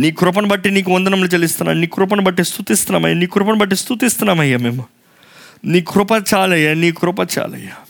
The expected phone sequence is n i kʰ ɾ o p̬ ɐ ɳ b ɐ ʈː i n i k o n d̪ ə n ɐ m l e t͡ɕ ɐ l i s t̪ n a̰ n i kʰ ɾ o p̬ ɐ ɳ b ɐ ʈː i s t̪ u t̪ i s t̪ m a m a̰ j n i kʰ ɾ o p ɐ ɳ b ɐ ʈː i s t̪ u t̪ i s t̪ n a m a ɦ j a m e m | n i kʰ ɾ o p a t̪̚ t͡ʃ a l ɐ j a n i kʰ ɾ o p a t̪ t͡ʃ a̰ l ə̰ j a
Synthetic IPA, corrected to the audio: n i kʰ ɾ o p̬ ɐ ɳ b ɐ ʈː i n i k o n d̪ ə n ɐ m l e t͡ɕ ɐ l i s t̪ n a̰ n i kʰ ɾ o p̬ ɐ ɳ b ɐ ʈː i s t̪ u t̪ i s t̪ n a m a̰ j n i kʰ ɾ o p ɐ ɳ b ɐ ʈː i s t̪ u t̪ i s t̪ n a m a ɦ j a m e m | n i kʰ ɾ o p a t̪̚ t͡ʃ a l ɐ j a n i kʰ ɾ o p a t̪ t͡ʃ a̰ l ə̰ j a